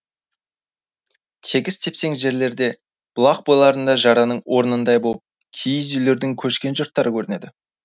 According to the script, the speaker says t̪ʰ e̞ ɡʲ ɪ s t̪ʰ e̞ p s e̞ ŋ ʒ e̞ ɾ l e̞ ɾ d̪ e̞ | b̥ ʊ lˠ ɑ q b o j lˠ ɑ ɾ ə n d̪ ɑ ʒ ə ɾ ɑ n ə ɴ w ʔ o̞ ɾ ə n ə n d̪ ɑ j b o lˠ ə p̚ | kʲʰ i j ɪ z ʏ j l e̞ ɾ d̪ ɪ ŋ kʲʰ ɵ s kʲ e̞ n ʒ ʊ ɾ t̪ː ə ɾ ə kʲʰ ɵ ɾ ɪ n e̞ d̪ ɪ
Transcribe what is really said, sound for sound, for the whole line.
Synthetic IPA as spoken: t̪ʰ e̞ ɡʲ ɪ s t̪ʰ e̞ p s e̞ ŋ ʒ e̞ ɾ l e̞ ɾ d̪ e̞ | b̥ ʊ lˠ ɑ q b o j lˠ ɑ ɾ ə n d̪ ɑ ʒ ɑ ɾ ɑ n ə ɴ w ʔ o̞ ɾ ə n ə n d̪ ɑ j b o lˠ ə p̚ | kʲʰ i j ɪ z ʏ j l e̞ ɾ d̪ ɪ ŋ kʲʰ ɵ ʃ kʲ e̞ n ʒ ʊ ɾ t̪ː ɑ ɾ ə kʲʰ ɵ ɾ ɪ n e̞ d̪ ɪ